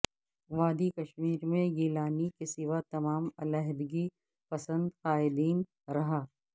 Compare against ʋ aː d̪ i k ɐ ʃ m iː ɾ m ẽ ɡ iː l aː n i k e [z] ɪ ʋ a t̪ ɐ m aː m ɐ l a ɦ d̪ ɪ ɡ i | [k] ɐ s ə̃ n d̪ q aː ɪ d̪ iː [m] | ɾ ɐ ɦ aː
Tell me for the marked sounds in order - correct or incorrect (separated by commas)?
incorrect, incorrect, incorrect